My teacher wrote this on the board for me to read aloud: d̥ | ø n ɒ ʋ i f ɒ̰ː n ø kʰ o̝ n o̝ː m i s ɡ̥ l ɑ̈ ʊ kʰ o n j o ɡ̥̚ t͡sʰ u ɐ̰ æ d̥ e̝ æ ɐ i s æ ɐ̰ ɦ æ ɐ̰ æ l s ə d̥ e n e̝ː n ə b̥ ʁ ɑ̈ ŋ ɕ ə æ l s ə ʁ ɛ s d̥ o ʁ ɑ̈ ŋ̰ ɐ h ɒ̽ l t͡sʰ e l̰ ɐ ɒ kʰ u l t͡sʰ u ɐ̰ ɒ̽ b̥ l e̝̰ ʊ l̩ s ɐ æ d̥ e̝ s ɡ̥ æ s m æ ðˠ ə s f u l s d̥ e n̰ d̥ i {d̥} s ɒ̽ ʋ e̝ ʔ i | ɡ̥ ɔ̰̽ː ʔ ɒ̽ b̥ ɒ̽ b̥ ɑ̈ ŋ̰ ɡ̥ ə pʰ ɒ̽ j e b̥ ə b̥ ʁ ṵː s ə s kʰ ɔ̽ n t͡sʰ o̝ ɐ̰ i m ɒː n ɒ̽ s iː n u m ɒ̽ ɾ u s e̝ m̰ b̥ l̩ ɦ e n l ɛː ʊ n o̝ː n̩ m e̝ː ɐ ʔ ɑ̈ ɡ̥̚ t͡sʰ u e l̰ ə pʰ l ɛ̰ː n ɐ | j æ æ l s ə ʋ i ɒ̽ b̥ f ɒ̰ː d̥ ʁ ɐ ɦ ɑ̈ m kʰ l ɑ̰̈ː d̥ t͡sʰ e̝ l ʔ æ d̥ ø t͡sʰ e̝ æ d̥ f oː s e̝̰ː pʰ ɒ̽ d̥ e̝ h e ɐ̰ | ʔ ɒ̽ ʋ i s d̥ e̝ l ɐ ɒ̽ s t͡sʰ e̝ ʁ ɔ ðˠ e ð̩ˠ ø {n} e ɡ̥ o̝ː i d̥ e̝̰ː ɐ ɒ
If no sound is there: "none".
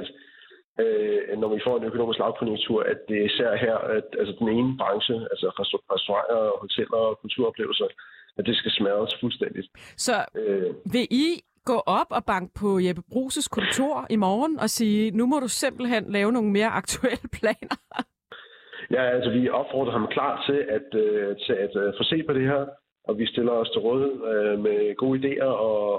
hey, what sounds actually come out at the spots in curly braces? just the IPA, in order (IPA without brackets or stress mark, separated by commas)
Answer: d̥, m